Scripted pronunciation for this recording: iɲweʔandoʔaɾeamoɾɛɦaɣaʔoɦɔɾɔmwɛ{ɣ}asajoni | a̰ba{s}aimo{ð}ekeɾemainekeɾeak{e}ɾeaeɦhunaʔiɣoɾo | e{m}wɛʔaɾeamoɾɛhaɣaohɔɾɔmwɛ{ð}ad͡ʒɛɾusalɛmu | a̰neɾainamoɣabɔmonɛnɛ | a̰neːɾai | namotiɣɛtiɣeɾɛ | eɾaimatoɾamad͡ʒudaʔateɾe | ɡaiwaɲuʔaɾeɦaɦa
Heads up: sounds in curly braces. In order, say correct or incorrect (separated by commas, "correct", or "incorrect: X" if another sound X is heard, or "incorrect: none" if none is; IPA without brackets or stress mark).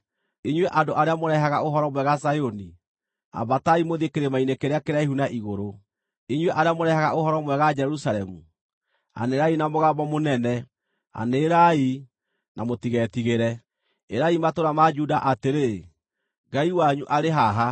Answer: correct, incorrect: t, correct, correct, incorrect: ɲ, incorrect: ɣ